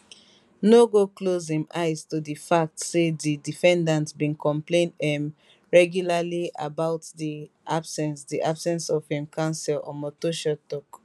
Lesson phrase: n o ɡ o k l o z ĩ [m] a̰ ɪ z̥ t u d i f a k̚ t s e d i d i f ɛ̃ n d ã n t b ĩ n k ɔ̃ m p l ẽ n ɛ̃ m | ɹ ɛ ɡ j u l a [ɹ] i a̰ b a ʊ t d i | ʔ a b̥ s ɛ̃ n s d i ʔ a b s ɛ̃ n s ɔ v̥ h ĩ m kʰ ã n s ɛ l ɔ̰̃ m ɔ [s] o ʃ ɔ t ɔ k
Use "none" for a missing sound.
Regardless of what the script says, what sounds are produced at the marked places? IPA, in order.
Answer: m, l, t

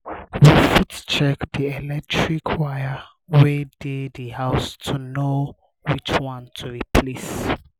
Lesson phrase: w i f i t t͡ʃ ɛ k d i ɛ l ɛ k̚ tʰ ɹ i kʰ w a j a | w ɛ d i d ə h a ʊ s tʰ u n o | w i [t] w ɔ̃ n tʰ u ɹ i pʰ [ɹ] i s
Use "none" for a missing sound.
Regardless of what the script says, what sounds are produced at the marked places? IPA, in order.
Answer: t͡ʃ, l

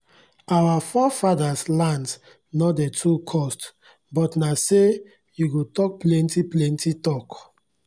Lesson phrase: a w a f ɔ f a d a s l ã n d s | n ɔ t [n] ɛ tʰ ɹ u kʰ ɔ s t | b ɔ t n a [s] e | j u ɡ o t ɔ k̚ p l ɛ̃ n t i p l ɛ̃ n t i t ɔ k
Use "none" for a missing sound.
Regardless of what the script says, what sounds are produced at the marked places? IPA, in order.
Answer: d, s

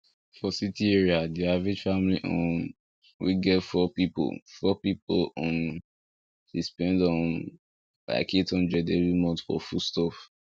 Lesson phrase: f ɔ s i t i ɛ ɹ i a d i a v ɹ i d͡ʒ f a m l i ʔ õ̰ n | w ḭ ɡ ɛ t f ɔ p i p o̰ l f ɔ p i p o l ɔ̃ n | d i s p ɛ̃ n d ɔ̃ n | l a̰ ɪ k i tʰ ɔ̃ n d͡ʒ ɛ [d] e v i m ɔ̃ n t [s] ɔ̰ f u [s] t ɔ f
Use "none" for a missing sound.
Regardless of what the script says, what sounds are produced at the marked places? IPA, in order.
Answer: d, f, s

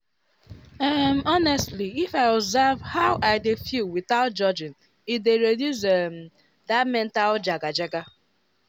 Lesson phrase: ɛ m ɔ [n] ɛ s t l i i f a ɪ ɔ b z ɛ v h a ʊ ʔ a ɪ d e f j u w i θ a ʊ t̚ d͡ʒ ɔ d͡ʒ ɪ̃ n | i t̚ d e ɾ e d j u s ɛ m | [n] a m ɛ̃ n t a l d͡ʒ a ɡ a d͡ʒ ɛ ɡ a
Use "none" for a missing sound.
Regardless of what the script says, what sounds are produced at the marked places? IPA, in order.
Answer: n, d

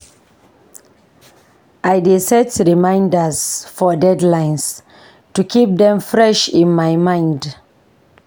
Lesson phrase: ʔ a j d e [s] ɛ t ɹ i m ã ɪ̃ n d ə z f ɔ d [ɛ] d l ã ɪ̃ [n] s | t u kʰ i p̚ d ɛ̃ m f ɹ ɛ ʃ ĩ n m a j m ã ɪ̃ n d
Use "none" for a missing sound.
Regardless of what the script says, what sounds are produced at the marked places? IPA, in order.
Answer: s, ɛ, n

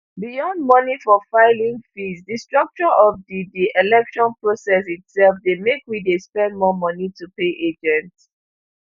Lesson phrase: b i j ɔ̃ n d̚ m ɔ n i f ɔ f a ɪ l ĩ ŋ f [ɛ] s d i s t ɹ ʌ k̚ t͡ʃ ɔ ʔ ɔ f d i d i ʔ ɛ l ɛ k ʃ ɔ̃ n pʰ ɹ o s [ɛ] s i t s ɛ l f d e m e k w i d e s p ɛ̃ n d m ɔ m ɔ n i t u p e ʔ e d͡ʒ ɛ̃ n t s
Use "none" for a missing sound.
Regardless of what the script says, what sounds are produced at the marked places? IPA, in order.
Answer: i, ɛ

